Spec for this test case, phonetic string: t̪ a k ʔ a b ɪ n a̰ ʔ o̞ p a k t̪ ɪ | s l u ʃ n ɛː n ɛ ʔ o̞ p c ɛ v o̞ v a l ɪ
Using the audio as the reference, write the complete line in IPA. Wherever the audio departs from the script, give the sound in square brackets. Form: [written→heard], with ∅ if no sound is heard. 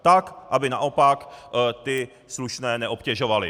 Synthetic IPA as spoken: t̪ a k ʔ a b ɪ n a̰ ʔ o̞ p a k t̪ ɪ | s l u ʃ n ɛː n ɛ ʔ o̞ p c ɛ [v→ʒ] o̞ v a l ɪ